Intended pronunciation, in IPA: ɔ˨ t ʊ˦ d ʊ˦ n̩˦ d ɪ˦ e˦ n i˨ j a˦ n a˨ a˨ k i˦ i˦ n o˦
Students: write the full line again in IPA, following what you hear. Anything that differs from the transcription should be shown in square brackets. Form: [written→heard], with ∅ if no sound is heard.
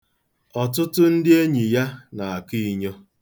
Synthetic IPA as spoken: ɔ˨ t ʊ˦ [d→t] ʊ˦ n̩˦ d ɪ˦ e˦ [n→ɲ] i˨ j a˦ n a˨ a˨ k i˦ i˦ [n→ɲ] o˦